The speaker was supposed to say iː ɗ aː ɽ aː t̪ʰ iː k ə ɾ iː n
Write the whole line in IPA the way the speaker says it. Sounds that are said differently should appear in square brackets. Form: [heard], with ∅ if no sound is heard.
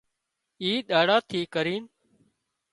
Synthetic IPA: iː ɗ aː ɽ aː t̪ʰ iː k ə ɾ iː n